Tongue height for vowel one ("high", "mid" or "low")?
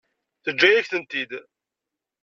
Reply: mid